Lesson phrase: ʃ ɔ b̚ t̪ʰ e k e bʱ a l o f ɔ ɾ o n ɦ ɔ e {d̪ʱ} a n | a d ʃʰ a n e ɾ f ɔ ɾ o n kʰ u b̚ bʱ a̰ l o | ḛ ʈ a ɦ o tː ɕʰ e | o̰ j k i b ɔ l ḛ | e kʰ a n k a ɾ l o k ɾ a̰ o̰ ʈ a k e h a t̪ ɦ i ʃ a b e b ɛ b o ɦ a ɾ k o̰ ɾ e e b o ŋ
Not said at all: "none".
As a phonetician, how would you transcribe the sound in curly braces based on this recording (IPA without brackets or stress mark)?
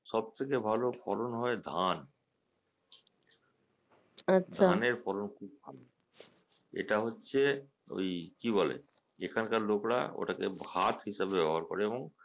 d̪ʱ